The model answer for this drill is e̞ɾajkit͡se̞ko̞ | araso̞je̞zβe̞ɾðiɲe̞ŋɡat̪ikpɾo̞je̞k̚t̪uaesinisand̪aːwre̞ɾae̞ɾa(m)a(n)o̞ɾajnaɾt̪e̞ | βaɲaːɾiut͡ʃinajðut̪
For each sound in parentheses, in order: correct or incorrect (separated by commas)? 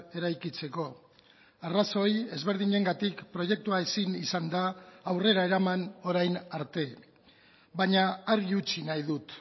correct, correct